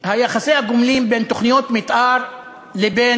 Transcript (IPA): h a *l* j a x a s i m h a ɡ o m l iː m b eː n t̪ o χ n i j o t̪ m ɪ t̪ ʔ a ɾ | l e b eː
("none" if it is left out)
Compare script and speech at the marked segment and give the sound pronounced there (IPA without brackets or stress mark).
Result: none